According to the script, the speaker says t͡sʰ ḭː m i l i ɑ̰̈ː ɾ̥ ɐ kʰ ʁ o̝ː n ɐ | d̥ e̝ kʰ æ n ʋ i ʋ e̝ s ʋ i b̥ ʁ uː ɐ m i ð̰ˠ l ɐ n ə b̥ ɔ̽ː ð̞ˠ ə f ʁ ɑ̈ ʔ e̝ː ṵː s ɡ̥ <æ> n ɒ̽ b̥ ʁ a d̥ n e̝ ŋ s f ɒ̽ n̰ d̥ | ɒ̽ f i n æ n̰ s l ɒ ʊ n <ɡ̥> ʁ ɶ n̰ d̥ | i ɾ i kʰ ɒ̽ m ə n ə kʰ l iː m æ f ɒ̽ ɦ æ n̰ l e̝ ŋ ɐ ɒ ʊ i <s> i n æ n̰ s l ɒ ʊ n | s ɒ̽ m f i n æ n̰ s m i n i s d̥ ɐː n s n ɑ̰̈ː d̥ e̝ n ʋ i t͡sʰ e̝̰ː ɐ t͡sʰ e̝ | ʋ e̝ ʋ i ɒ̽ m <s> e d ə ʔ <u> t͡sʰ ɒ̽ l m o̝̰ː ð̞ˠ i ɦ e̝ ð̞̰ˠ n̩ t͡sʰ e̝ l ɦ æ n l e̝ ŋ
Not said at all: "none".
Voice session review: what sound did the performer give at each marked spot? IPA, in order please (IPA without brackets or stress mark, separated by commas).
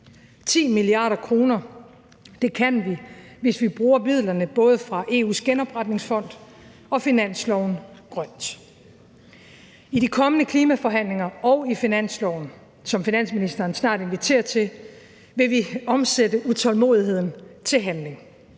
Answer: e, ɡ̥, f, s, u